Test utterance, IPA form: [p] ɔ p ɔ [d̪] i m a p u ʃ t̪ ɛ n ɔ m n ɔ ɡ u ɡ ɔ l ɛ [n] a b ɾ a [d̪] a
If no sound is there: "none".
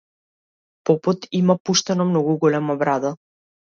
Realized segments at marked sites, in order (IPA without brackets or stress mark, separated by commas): p, t̪, m, d̪